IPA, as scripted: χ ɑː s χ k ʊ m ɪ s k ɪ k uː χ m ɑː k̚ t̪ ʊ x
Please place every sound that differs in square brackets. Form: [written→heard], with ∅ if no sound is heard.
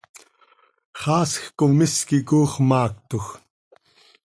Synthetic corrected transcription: χ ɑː s [χ→x] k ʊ m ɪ s k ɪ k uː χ m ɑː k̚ t̪ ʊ x